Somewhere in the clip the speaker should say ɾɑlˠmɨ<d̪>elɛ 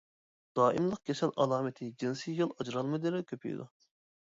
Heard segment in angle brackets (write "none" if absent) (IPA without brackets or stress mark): d̪